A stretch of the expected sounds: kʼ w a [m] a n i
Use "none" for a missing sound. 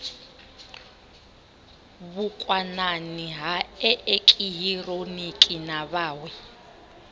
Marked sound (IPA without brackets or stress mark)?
n